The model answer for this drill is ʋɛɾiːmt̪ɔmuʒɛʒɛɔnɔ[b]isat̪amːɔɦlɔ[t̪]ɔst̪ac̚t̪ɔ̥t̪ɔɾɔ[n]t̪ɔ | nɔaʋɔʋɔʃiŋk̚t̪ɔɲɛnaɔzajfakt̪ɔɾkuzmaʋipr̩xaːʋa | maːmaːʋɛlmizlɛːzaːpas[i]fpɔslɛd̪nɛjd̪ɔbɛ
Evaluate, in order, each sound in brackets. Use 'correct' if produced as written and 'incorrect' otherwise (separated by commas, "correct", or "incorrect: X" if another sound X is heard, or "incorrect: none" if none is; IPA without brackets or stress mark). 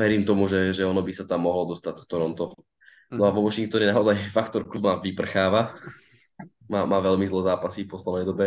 correct, incorrect: d̪, correct, correct